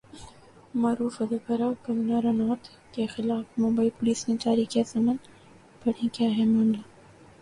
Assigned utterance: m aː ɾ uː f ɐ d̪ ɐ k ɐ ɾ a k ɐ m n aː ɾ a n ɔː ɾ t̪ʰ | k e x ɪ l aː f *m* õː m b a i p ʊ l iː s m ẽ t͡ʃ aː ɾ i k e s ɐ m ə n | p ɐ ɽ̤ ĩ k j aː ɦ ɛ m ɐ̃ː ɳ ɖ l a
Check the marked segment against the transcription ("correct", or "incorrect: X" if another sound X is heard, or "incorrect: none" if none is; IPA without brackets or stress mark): correct